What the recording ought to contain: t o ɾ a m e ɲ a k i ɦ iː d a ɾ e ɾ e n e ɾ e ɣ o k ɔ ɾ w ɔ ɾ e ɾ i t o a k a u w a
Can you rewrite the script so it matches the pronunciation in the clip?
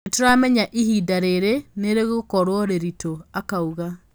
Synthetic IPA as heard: t o ɾ a m ɛ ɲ a ʔ i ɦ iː d a ɾ e ɾ e n e ɾ e ɣ o k ɔ ɾ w ɔ ɾ e ɾ i t o a k a u ɣ a

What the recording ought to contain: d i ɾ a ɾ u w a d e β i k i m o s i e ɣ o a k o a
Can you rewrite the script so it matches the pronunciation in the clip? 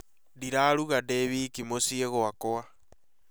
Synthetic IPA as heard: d i ɾ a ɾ u ɣ a d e β i k i m o s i e ɣ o a k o a

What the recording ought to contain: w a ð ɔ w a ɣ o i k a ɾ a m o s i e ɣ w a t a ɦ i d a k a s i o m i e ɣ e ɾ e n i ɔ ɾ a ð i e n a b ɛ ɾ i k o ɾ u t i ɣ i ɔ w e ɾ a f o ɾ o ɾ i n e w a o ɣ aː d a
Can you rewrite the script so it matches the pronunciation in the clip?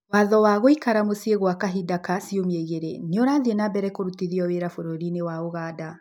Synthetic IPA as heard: w a ð ɔ w a ɣ o i k a ɾ a m o s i e ɣ w a k a ɦ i d a k a s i o m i e ɣ e ɾ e n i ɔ ɾ a ð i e n a b ɛ ɾ ɛ k o ɾ u t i ð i ɔ w e ɾ a f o ɾ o ɾ i n e w a o ɣ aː d a

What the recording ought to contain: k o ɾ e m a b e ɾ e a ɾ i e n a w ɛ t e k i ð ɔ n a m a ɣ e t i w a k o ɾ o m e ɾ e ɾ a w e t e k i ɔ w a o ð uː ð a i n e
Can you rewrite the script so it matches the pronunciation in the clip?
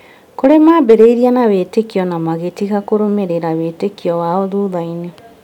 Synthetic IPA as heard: k o ɾ e m a b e ɾ e i ɾ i a n a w e t e k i ɔ n a m a ɣ e t i ɣ a k o ɾ o m e ɾ e ɾ a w e t e k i ɔ w a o ð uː ð a i n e

